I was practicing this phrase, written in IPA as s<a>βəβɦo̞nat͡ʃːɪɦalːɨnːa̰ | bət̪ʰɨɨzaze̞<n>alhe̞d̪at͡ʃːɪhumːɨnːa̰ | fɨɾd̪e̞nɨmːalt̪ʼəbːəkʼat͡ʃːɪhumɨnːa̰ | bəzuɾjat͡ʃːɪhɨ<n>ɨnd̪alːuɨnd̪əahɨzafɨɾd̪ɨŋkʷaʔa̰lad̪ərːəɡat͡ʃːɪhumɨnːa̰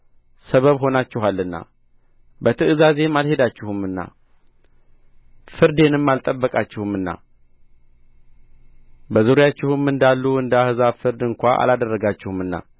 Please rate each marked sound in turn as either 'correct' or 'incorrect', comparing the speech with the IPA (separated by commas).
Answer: incorrect, incorrect, incorrect